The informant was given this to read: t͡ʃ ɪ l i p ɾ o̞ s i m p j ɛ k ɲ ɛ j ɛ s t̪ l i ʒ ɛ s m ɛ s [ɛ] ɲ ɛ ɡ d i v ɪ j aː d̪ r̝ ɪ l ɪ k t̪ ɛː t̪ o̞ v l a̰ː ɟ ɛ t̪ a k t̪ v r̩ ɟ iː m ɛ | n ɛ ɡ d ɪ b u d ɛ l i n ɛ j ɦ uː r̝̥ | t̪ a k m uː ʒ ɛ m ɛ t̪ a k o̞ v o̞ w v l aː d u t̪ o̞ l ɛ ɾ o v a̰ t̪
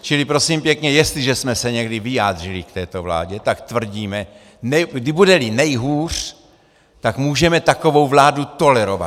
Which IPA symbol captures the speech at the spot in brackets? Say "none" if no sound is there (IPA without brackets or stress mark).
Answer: ɛ